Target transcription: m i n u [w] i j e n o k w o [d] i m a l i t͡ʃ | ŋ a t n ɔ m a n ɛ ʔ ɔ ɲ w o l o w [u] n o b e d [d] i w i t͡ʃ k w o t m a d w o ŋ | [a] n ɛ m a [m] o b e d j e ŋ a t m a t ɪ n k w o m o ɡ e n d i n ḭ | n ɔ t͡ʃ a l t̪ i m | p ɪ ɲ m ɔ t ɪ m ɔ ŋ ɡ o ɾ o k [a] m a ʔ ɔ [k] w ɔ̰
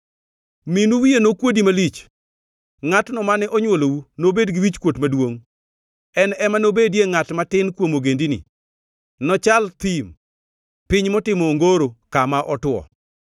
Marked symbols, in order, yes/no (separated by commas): yes, yes, yes, no, no, no, yes, no